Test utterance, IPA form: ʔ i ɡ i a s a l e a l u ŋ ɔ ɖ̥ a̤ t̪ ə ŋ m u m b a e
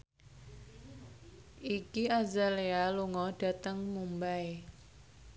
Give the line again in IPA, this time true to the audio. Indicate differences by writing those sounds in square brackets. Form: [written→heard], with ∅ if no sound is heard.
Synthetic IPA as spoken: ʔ i [ɡ→k] i a [s→z] a l e a l u ŋ ɔ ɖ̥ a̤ t̪ ə ŋ m u m b a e